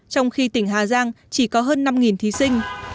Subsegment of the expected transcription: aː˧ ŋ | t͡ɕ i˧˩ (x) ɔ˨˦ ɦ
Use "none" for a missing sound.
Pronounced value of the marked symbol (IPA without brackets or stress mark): k